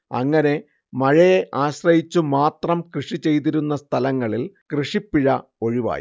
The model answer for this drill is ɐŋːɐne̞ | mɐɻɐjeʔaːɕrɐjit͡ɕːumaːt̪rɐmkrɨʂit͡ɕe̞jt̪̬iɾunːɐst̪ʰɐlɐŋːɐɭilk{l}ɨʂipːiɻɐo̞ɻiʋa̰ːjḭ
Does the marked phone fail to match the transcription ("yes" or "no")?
yes